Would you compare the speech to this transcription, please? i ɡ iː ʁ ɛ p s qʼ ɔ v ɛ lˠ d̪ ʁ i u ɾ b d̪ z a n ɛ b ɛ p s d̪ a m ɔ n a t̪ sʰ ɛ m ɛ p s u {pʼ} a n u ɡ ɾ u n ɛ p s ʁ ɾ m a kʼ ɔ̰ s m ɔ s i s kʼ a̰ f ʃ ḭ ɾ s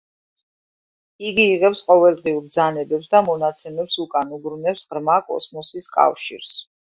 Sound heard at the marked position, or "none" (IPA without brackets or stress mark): kʼ